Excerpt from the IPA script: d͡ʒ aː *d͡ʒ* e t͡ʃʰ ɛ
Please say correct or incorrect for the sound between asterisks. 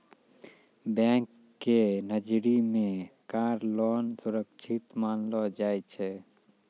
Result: incorrect